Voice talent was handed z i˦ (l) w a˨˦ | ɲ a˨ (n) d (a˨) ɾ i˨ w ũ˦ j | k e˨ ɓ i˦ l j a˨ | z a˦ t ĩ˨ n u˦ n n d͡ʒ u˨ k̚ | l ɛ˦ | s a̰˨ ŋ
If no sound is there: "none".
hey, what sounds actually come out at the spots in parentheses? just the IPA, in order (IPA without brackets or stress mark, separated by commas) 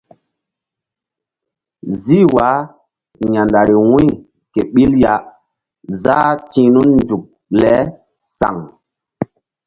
none, n, a˨